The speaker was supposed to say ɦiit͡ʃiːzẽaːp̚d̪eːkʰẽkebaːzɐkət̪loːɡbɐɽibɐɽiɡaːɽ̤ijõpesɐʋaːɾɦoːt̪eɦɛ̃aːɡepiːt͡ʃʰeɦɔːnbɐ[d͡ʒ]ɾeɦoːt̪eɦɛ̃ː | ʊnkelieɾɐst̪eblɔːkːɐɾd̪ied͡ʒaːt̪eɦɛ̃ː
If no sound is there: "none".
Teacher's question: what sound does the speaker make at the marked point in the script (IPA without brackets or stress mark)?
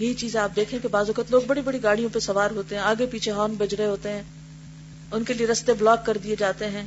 d͡ʒ